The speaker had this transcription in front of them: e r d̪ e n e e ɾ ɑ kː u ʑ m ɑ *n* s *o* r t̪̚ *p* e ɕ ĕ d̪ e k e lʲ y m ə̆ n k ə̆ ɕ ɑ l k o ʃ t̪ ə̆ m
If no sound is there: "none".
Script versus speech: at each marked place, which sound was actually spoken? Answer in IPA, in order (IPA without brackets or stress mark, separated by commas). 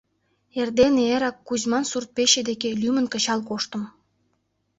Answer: n, u, p